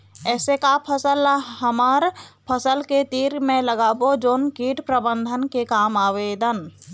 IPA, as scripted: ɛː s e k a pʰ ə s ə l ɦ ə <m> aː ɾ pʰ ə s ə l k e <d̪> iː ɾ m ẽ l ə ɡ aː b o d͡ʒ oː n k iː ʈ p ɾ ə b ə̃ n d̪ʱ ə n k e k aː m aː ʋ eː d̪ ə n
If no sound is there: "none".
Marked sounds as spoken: m, t̪

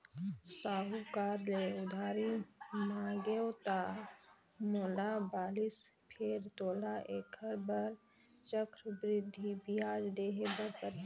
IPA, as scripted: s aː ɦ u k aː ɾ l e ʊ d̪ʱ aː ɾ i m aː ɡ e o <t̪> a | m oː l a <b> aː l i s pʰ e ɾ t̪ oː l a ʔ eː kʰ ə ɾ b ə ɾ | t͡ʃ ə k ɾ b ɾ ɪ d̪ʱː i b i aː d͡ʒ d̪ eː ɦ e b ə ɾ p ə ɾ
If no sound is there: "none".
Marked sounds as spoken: t̪, b

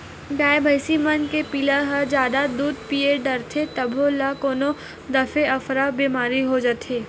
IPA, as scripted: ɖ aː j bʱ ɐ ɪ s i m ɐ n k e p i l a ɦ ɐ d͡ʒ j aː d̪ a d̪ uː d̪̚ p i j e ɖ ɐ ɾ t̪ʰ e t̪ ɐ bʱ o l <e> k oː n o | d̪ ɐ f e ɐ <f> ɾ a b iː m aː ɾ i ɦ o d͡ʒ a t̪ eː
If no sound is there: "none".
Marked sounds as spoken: a, f

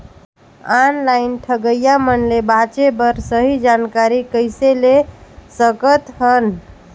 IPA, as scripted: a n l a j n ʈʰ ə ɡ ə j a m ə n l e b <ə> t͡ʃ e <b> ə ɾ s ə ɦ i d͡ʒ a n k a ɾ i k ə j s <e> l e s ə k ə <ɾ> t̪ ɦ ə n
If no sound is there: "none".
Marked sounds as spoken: a, b, e, none

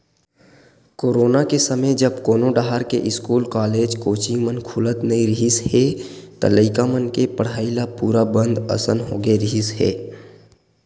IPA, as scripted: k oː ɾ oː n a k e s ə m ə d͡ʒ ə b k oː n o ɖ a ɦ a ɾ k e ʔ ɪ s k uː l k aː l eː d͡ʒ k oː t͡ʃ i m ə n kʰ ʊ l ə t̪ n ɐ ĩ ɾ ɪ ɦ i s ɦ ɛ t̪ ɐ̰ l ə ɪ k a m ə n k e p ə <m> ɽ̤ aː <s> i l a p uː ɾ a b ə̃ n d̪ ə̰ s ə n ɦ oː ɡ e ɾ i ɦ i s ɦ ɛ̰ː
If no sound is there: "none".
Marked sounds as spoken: none, none

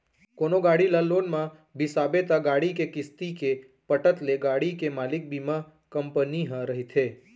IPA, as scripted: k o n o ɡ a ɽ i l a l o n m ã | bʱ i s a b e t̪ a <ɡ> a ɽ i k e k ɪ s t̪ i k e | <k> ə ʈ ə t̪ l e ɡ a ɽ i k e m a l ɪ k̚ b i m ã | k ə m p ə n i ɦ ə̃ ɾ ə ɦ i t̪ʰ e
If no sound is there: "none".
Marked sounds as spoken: ɡ, p

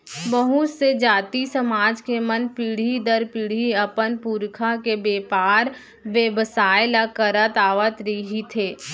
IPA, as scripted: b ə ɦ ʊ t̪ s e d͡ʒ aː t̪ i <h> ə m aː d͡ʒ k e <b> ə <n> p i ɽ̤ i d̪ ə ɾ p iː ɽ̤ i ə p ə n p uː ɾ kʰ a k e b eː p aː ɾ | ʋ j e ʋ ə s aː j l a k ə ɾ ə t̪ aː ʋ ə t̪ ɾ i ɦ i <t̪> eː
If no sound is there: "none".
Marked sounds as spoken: s, m, n, t̪ʰ

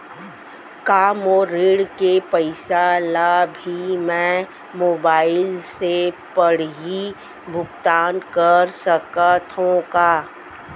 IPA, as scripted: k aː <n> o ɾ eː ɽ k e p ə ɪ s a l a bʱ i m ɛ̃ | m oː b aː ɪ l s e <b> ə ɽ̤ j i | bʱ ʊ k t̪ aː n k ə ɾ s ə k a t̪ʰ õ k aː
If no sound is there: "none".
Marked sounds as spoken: m, p

